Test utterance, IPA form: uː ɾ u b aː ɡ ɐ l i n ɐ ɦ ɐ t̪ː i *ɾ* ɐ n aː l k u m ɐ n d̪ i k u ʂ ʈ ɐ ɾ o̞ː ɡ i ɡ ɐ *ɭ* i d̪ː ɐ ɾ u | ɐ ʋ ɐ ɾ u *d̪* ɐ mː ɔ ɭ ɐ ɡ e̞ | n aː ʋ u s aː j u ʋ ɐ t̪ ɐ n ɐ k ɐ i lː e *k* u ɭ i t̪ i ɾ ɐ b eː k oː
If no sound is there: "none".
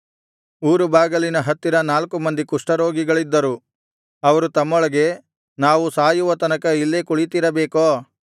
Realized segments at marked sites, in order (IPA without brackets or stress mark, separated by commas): ɾ, ɭ, t̪, k